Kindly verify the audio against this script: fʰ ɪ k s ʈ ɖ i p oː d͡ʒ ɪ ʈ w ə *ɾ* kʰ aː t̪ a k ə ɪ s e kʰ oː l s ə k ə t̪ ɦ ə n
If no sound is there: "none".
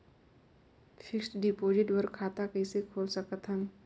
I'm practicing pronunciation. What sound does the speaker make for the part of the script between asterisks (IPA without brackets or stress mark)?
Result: ɾ